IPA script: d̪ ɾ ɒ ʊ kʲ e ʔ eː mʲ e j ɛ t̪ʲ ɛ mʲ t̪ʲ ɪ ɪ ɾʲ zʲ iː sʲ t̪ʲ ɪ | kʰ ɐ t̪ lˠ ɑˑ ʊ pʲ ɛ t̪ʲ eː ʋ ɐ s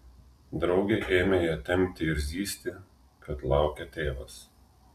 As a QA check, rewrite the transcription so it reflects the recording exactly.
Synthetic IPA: d̪ ɾ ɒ ʊ ɡʲ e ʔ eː mʲ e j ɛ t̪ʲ ɛ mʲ t̪ʲ ɪ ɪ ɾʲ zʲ iː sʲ t̪ʲ ɪ | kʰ ɐ t̪ lˠ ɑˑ ʊ kʲ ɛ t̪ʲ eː ʋ ɐ s